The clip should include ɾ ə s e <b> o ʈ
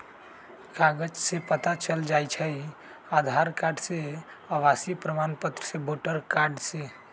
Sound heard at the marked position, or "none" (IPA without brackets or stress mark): b